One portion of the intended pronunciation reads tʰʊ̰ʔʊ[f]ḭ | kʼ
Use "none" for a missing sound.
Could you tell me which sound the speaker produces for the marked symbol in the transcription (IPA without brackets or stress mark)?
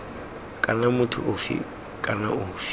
f